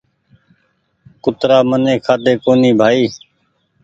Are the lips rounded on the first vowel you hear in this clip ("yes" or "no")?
yes